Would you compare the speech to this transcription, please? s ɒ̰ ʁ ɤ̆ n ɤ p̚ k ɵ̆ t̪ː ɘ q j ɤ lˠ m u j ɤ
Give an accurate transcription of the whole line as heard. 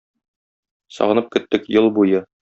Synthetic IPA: s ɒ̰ ʁ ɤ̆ n ɤ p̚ k ɵ̆ t̪ː ɘ k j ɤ lˠ b u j ɤ